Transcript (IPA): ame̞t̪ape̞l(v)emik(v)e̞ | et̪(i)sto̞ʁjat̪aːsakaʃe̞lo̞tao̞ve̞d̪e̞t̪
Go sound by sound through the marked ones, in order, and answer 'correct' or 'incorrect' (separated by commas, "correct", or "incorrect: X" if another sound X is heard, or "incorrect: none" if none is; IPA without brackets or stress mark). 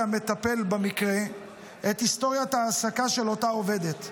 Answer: incorrect: b, incorrect: ʁ, correct